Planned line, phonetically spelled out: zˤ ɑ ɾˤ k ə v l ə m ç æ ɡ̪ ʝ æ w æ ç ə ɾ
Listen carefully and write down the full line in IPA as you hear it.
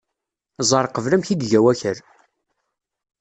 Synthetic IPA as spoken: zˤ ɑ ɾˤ q ə v l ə m ç i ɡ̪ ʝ æ w æ ç ə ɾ

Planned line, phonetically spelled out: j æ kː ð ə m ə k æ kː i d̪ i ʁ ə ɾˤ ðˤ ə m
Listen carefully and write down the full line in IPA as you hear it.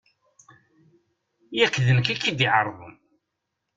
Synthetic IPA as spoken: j æ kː ð ə n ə k æ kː i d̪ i ʕ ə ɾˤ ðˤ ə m

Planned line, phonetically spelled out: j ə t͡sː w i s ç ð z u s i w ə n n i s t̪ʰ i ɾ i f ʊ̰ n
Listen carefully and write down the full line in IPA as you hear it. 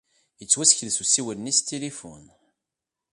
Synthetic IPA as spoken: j ə t͡sː w æ s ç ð s u s i w ə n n i s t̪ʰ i l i f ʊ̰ n

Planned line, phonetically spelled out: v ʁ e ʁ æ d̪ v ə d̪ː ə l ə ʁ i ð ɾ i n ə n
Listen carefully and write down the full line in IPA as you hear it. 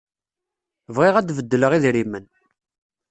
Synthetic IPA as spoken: v ʁ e ʁ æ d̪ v ə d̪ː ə l ə ʁ i ð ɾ i m ə n

